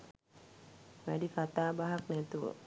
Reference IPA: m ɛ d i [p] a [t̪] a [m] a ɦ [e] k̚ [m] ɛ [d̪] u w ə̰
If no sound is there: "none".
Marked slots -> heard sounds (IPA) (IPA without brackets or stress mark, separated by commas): k, t̪, b, a, n, t̪